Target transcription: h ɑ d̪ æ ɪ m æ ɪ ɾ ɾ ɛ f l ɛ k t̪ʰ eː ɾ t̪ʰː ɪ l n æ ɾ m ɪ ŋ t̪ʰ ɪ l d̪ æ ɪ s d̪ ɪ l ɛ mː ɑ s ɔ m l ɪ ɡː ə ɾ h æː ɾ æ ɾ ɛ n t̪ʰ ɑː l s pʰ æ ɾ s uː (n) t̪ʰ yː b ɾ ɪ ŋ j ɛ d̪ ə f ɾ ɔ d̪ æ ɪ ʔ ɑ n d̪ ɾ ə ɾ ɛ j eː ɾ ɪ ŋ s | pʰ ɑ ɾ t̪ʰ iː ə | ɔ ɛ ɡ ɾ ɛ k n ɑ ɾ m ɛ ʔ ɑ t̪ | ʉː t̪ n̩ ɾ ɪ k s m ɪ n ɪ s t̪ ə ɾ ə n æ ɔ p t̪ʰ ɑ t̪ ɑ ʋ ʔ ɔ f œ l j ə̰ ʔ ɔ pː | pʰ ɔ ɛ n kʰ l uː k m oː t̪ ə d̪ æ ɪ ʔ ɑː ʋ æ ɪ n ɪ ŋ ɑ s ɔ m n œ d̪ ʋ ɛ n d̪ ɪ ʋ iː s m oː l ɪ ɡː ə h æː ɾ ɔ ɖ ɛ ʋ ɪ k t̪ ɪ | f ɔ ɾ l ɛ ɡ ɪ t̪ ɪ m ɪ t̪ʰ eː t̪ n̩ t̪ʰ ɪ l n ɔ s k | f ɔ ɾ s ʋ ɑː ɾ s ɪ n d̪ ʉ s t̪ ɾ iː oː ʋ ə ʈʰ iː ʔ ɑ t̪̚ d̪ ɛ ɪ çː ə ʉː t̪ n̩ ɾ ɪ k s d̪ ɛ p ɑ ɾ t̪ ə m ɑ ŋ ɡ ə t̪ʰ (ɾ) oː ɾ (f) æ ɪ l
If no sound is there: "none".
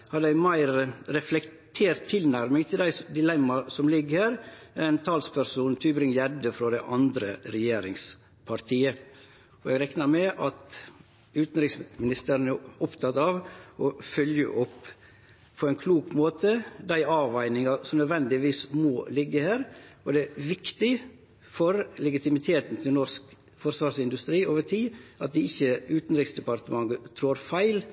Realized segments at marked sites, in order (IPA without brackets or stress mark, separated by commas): n, ɾ, f